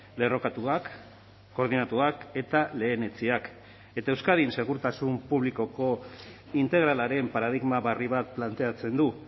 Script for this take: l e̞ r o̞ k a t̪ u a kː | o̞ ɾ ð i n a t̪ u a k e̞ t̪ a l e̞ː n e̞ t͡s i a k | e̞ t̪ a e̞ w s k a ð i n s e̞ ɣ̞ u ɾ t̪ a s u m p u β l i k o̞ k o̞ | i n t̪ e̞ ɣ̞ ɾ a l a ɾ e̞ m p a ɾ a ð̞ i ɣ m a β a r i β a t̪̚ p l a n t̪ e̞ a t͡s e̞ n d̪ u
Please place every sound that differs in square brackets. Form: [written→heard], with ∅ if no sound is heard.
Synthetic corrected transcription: l e̞ r o̞ k a t̪ u a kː | o̞ ɾ ð i n a t̪ u a k e̞ t̪ a l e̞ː n e̞ t͡s i a k | e̞ t̪ a e̞ w s k a ð i n s e̞ ɣ̞ u ɾ t̪ a s u m p u β l i k o̞ k o̞ | i n t̪ e̞ ɣ̞ ɾ a l a ɾ e̞ m p a ɾ a ð̞ i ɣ m a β a r i β a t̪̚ p l a n t̪ e̞ a t͡s e̞ n d̪ u